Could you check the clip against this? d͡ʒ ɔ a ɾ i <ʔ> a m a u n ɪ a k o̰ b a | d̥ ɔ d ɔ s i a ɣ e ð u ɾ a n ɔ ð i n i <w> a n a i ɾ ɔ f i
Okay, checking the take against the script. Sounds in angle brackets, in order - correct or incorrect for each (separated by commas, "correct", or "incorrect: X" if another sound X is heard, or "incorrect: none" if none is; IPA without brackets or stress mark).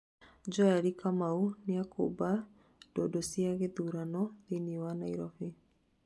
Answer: incorrect: k, correct